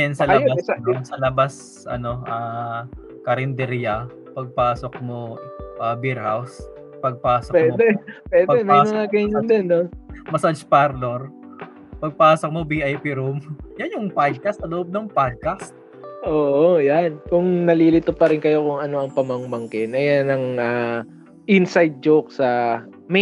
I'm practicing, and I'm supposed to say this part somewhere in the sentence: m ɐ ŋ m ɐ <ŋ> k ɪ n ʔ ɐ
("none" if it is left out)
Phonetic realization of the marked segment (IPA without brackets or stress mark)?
ŋ